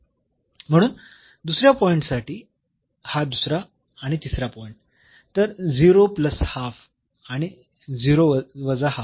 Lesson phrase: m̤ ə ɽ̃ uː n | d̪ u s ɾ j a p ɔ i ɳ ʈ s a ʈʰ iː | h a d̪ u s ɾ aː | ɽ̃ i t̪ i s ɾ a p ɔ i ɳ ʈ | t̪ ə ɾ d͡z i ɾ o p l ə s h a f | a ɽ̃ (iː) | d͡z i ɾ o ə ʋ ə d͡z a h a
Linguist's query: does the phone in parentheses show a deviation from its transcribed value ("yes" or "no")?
yes